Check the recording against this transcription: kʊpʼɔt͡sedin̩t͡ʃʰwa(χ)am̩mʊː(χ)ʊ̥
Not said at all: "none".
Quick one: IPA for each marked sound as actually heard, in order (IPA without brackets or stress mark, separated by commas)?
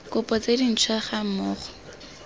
χ, χ